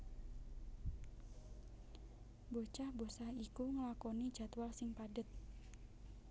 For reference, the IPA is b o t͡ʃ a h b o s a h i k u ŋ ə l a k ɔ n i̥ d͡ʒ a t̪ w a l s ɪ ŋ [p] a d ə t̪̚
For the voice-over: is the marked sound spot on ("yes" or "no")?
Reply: yes